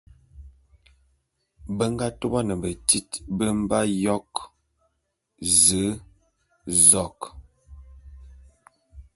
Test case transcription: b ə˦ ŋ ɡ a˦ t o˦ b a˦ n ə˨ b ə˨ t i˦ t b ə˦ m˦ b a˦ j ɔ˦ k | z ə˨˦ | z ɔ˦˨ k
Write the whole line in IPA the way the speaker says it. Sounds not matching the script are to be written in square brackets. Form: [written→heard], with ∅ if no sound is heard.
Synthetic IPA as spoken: b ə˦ ŋ ɡ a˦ t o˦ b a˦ n ə˨ b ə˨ t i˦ t b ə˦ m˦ b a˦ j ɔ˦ k | z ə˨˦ | z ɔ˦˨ k